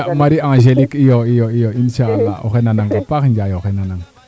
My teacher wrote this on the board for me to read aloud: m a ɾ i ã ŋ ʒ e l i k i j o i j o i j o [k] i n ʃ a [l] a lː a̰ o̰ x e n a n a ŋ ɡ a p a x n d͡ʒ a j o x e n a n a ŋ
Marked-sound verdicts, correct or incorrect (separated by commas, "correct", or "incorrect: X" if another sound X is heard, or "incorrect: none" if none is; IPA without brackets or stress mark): incorrect: none, incorrect: none